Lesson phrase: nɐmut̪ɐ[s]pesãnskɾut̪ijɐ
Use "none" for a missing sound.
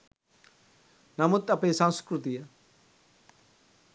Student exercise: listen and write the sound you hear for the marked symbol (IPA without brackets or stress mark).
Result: none